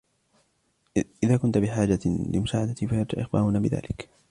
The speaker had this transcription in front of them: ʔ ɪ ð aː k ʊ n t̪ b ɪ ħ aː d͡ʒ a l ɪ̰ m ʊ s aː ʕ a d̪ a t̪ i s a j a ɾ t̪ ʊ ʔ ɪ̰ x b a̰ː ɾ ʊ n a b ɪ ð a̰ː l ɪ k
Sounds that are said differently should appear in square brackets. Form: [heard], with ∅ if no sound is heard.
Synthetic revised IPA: ʔ ɪ ð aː k ʊ n t̪ b ɪ ħ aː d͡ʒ a l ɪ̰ m ʊ s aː ʕ a d̪ a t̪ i [f] a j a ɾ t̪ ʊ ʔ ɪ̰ x b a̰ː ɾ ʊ n a b ɪ ð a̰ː l ɪ k